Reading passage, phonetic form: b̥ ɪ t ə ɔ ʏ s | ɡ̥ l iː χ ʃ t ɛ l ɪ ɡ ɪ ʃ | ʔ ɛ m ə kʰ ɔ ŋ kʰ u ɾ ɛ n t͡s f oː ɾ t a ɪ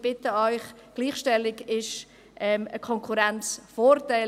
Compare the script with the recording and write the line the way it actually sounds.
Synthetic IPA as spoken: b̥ ɪ t ə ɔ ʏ χ | ɡ̥ l iː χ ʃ t ɛ l ɪ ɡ ɪ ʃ | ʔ ɛ m ə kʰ ɔ ŋ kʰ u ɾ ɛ n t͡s f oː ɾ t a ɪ

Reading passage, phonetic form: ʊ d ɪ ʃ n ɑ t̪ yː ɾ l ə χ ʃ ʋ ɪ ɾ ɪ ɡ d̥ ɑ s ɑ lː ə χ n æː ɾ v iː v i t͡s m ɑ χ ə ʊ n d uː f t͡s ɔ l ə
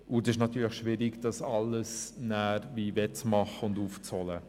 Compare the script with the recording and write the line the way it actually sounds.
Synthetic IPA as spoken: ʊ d ɪ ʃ n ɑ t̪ yː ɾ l ə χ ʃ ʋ ɪ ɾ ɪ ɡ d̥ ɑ s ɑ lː ə s n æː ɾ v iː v ɛ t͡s m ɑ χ ə ʊ n d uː f t͡s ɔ l ə

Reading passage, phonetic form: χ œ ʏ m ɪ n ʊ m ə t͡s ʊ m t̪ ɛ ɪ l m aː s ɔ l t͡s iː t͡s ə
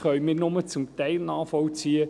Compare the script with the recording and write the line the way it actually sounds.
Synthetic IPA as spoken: χ œ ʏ m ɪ n ʊ m ə t͡s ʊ m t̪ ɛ ɪ l n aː f ɔ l t͡s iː ə

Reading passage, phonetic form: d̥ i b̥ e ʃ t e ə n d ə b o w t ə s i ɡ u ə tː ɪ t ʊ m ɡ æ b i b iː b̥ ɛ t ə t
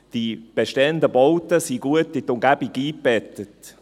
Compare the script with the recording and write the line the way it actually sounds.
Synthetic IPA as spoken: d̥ i b̥ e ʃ t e ə n d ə b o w t ə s i ɡ u ə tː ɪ t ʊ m ɡ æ b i ɡ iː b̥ ɛ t ə t

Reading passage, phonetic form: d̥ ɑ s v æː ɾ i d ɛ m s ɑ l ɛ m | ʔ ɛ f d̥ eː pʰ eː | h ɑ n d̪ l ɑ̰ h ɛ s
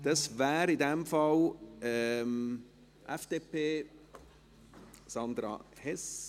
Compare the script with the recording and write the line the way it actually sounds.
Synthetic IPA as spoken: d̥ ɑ s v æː ɾ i d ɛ m f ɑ l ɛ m | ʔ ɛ f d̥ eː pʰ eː | s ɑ n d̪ ɾ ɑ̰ h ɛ s

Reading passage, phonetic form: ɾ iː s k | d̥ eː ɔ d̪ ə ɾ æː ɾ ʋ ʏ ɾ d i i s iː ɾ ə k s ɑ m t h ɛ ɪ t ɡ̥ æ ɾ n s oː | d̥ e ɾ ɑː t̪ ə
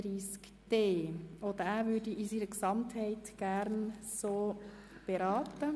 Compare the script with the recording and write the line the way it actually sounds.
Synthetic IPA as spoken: ɾ iː s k | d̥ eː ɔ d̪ ə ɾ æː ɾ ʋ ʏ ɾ d i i s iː ɾ ə k s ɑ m t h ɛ ɪ t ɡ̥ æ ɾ n s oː | b̥ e ɾ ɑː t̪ ə

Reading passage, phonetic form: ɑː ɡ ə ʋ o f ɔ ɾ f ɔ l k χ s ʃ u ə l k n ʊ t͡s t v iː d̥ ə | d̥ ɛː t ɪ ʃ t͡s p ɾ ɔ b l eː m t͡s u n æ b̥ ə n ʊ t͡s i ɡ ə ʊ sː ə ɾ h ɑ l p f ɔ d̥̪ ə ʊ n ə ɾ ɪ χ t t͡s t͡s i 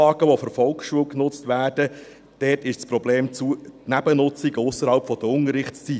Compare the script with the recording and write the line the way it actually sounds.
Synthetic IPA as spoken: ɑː ɡ ə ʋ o f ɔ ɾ f ɔ l k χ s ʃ u ə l k n ʊ t͡s t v æː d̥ ə | d̥ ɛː t ɪ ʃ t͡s p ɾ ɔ b l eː m t͡s u n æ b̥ ə n ʊ t͡s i ɡ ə ʊ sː ə ɾ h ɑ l p f ɔ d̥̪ ə ʊ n ə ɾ ɪ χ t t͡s t͡s i

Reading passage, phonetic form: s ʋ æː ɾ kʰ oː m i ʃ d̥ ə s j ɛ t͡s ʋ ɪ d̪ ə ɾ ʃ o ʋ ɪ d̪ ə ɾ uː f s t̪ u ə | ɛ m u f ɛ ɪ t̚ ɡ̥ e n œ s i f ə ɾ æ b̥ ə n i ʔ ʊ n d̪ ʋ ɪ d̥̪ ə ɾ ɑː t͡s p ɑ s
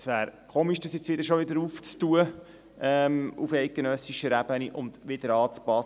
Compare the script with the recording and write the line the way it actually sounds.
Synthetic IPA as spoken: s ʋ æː ɾ kʰ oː m i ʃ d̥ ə s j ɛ t͡s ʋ ɪ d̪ ə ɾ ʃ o ʋ ɪ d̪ ə ɾ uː f t͡s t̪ u ə | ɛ m u f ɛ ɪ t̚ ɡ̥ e n œ s i ʃ ə ɾ æ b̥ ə n i ʔ ʊ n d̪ ʋ ɪ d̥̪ ə ɾ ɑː t͡s p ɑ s

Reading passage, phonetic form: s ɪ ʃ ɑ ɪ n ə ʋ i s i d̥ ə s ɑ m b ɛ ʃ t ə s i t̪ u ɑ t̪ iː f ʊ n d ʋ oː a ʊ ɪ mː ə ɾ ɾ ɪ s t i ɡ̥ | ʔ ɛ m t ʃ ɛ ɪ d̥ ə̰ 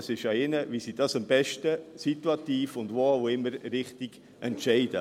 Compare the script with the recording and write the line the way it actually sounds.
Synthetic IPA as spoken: s ɪ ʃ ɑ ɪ n ə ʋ i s i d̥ ɑ s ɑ m b ɛ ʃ t ə s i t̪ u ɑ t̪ iː f ʊ n d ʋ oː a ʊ ɪ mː ə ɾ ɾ ɪ χ t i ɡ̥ | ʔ ɛ n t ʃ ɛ ɪ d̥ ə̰

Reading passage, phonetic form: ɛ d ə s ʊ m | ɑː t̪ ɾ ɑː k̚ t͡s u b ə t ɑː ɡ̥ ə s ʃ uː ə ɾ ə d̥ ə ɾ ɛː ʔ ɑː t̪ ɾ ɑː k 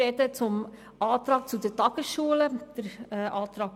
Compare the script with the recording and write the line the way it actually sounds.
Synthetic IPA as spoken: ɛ d ə t͡s ʊ m | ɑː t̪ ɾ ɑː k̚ t͡s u d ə t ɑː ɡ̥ ə s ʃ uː ə l ə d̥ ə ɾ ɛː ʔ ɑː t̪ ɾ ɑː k

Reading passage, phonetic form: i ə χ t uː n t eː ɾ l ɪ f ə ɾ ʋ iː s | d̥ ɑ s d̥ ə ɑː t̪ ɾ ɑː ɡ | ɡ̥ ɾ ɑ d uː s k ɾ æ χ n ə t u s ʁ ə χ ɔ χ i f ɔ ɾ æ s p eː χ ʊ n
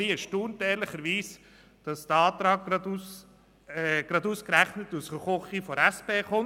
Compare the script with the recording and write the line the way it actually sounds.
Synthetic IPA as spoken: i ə ʃ t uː n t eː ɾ l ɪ χ ə ɾ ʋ iː s | d̥ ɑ s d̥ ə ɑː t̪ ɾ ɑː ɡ | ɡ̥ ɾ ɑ d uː s k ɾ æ χ n ə t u s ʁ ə χ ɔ χ i f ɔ ɾ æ s p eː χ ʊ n

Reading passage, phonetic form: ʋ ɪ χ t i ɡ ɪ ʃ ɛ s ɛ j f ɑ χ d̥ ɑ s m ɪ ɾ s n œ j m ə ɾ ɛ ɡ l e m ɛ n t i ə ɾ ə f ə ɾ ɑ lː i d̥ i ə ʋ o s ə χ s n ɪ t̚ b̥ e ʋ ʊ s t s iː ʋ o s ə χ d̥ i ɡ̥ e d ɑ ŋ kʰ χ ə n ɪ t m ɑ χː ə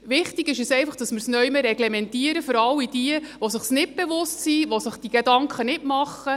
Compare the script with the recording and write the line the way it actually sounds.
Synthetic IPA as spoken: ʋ ɪ χ t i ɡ ɪ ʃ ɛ s ɛ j f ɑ χ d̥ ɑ s m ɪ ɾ s n œ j m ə ɾ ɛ ɡ l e m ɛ n t i ə ɾ ə f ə ɾ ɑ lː i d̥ i ə ʋ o s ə χ s n ɪ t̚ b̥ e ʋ ʊ s t s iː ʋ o s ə χ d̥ i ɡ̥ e d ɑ ŋ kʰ χ ə n ɪ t m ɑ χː ə

